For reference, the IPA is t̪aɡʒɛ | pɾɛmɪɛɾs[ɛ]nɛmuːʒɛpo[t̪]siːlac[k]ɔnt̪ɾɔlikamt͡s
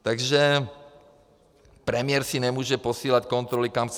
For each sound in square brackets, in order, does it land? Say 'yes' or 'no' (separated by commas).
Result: no, no, yes